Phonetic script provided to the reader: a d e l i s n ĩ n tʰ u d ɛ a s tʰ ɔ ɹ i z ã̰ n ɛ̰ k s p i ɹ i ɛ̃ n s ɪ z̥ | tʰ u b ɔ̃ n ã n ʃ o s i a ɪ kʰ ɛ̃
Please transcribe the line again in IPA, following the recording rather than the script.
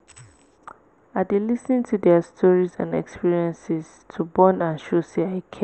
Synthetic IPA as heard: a d e l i s n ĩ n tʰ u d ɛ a s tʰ ɔ ɹ i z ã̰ n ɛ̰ k s p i ɹ i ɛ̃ n s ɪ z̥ | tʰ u b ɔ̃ n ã n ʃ o s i a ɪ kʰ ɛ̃